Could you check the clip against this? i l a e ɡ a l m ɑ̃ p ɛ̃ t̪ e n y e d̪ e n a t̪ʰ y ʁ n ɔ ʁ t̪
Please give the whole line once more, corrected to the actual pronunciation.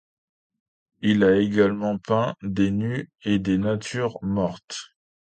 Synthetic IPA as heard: i l a e ɡ a l m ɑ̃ p ɛ̃ d̪ e n y e d̪ e n a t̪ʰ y ʁ m ɔ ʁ t̪